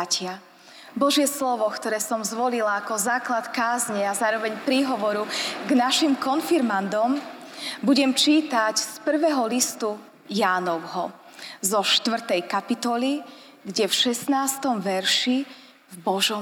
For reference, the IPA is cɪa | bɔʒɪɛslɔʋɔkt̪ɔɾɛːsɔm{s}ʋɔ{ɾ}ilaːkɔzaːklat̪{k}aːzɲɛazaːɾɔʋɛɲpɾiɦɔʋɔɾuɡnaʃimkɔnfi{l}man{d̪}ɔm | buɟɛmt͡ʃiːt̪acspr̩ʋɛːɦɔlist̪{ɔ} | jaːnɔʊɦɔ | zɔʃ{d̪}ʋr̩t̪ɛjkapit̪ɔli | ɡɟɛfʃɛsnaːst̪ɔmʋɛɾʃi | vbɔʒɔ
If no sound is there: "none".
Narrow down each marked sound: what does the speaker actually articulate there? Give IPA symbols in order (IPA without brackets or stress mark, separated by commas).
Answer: z, l, k, ɾ, d̪, u, t̪